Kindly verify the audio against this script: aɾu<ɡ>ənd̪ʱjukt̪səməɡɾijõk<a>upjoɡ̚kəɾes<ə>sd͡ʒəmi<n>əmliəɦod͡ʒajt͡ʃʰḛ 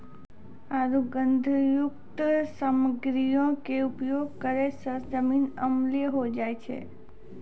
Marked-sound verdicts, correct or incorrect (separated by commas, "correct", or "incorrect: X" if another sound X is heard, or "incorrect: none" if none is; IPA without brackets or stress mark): correct, incorrect: e, correct, correct